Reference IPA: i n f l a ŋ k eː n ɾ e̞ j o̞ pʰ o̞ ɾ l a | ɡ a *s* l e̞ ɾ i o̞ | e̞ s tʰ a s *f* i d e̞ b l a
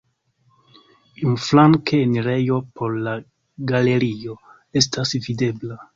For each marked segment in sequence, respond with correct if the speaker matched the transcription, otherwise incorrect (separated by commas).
incorrect, incorrect